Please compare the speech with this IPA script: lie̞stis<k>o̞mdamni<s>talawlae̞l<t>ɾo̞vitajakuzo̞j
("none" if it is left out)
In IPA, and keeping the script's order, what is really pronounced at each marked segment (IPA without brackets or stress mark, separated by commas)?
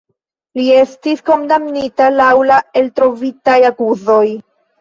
k, none, t